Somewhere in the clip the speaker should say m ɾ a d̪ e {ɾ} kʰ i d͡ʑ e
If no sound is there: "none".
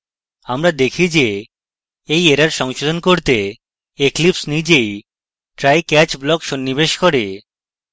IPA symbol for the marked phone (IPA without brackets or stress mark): none